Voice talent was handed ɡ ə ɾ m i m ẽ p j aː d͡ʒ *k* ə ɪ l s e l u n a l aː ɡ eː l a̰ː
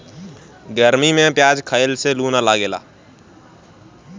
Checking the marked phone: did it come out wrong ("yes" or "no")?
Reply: yes